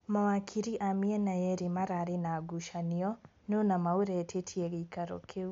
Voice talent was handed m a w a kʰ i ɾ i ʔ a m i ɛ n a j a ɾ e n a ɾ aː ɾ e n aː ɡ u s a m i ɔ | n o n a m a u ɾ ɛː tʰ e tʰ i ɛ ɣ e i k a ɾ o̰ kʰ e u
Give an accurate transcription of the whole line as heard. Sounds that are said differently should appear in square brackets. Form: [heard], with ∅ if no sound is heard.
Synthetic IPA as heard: m a w a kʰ i ɾ i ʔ a m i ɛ n a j [ɛ] ɾ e [m] a ɾ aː ɾ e n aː ɡ u [ʃ] a [n] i ɔ | n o n a m a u ɾ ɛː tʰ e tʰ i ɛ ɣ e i k a ɾ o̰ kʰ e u